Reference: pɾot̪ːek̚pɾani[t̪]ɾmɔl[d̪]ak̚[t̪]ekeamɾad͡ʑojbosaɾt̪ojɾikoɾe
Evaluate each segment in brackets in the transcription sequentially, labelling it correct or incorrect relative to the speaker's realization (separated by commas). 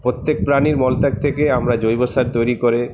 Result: incorrect, incorrect, incorrect